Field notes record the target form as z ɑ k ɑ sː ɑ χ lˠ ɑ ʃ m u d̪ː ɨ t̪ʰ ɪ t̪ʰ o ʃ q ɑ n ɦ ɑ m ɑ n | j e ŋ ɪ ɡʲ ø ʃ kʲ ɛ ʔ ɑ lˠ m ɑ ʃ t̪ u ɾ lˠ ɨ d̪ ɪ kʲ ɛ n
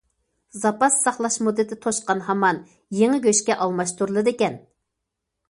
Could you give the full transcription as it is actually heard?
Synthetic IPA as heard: z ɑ p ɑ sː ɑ χ lˠ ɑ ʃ m u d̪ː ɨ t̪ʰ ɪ t̪ʰ o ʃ q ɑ n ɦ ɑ m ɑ n | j e ŋ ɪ ɡʲ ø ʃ kʲ ɛ ʔ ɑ lˠ m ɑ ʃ t̪ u ɾ lˠ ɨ d̪ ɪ kʲ ɛ n